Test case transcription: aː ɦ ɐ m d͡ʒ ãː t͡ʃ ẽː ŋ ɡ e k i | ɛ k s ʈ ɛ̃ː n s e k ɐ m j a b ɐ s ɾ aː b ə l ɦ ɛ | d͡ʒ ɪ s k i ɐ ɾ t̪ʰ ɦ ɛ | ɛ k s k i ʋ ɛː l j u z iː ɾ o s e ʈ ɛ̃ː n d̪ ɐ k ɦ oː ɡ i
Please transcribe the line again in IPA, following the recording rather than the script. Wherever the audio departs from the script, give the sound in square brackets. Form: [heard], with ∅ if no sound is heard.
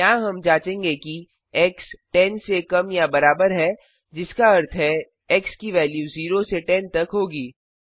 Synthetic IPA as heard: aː ɦ ɐ m d͡ʒ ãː t͡ʃ ẽː ŋ ɡ e k i | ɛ k s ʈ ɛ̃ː n s e k ɐ m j a b ɐ [∅] ɾ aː b ə [ɾ] ɦ ɛ | d͡ʒ ɪ s k [a] ɐ ɾ t̪ʰ ɦ ɛ | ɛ k s k i ʋ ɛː l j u z iː ɾ o s e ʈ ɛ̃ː n [t̪] ɐ k ɦ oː ɡ [iː]